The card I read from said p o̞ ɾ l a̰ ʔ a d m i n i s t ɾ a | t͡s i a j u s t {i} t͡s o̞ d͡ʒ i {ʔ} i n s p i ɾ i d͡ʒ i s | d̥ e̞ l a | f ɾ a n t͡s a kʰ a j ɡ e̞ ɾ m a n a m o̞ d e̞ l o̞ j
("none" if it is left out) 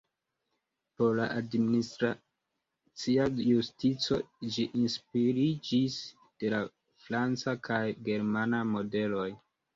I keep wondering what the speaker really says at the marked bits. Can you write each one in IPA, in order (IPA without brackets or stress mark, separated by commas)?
i, ʔ